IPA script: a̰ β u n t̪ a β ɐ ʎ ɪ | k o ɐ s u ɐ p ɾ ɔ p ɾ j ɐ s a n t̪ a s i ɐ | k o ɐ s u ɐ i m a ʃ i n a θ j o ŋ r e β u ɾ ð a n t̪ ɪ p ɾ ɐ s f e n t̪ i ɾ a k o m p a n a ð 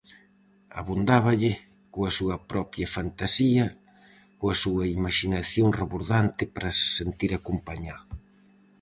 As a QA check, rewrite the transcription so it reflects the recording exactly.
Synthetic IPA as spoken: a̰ β u n d̪ a β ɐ ʎ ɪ | k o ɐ s u ɐ p ɾ ɔ p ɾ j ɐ f a n t̪ a s i ɐ | k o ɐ s u ɐ i m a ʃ i n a θ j o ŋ r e β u ɾ ð a n t̪ ɪ p ɾ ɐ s s e n t̪ i ɾ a k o m p a ɲ a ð